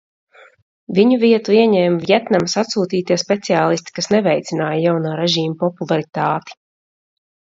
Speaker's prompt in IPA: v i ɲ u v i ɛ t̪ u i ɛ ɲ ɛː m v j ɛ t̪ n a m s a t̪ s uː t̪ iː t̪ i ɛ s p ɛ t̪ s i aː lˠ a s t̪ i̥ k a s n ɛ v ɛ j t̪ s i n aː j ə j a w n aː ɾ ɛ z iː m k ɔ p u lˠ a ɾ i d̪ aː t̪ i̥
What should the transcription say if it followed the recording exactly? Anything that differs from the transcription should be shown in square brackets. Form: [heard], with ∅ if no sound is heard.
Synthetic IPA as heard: v i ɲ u v i ɛ t̪ u i ɛ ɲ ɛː m v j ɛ t̪ n a m s a t̪ s uː t̪ iː t̪ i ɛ s p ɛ t̪ s i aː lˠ [i] s t̪ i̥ k a s n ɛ v ɛ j t̪ s i n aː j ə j a w n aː ɾ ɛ [ʒ] iː m [p] ɔ p u lˠ a ɾ i [t̪] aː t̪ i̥